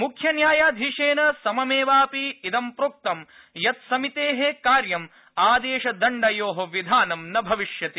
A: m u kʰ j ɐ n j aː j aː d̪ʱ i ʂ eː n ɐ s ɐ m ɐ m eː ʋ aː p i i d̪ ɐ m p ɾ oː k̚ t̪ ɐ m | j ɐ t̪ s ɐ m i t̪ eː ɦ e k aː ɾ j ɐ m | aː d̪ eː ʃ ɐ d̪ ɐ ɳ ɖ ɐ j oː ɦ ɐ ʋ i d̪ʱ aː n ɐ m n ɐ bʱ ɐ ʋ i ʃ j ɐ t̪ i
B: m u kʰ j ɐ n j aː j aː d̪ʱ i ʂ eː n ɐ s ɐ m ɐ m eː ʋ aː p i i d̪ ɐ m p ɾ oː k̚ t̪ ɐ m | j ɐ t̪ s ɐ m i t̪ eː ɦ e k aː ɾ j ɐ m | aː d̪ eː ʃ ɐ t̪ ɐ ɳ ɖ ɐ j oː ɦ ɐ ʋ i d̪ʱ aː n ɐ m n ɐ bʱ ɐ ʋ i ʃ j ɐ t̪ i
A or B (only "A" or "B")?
A